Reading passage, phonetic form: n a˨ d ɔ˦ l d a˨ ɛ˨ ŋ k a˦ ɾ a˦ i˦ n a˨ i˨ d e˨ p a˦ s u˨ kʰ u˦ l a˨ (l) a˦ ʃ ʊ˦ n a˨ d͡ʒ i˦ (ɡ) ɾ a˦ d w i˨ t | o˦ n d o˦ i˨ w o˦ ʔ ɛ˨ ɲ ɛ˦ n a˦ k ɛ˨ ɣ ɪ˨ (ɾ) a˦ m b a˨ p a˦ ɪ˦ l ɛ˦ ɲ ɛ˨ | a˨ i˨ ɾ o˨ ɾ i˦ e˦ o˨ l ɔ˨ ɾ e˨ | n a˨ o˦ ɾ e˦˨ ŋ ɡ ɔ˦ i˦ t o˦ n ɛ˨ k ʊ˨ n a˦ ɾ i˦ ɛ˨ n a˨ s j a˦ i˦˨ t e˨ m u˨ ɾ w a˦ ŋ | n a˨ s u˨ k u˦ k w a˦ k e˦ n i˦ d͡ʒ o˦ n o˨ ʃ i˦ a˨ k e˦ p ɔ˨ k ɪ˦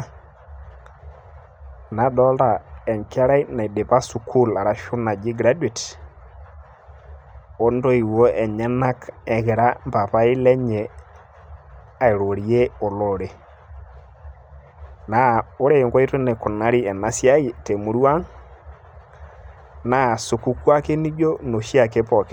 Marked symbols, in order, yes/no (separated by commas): no, yes, yes